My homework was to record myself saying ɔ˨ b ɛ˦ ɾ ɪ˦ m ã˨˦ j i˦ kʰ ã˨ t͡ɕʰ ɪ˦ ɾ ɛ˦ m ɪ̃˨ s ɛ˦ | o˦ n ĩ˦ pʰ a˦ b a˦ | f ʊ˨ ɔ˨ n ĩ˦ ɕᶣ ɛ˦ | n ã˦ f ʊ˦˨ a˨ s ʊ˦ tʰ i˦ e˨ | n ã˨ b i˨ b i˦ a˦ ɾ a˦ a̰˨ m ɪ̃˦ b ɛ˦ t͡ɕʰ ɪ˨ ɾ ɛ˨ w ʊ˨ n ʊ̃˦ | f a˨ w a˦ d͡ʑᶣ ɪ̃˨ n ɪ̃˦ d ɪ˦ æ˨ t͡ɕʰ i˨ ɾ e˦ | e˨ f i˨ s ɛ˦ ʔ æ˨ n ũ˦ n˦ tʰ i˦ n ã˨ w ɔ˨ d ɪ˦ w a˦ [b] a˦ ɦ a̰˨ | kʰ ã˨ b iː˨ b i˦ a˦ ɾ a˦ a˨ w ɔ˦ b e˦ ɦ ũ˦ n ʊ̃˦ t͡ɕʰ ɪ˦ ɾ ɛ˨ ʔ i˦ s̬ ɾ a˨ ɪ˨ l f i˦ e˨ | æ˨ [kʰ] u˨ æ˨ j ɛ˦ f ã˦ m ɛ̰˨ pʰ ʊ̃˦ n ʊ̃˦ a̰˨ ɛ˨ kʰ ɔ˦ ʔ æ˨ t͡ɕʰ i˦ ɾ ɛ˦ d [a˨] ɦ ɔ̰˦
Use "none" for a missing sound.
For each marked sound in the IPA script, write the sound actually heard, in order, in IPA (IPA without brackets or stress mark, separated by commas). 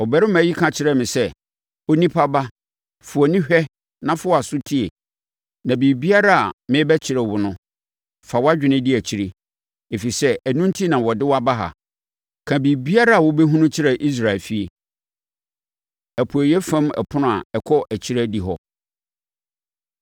b, pʰ, i˨